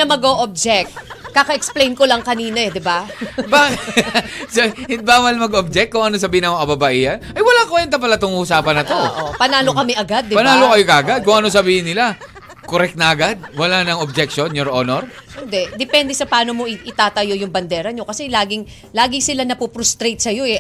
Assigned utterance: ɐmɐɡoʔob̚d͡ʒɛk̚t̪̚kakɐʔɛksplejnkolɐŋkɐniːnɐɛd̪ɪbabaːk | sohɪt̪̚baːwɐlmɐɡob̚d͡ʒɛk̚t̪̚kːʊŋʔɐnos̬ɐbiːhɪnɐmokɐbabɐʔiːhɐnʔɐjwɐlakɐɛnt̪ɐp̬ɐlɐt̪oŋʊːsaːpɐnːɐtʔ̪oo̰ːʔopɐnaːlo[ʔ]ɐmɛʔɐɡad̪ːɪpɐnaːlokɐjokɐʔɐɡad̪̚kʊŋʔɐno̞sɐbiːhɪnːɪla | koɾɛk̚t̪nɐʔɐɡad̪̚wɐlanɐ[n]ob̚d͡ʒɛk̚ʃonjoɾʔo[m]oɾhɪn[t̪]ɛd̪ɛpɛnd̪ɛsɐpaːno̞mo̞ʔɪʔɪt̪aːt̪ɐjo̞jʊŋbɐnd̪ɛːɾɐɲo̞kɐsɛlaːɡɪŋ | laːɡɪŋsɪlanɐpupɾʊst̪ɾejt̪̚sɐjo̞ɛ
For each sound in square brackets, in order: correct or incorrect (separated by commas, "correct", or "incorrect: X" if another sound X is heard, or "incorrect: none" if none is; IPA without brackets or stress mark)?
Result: incorrect: k, incorrect: ŋ, incorrect: n, incorrect: d̪